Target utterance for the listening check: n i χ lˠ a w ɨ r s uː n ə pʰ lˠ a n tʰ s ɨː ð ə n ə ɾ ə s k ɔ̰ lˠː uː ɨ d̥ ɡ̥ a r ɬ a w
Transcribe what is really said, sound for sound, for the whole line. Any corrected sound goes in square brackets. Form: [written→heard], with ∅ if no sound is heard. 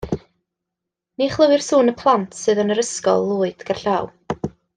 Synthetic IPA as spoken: n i χ lˠ [a→ə] w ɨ r s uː n ə pʰ lˠ a n tʰ s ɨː ð ə n ə ɾ ə s k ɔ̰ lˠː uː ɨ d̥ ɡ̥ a r ɬ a w